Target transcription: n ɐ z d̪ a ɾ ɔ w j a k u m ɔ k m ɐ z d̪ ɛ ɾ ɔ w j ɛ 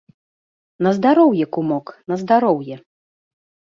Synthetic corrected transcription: n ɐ z d̪ a ɾ ɔ w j ɛ k u m ɔ k n ɐ z d̪ a ɾ ɔ w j ɛ